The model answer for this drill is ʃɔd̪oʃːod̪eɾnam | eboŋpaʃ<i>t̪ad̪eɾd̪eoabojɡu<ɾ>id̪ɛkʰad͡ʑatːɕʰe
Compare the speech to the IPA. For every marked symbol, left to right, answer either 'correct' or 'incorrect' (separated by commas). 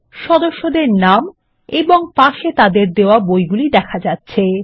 incorrect, incorrect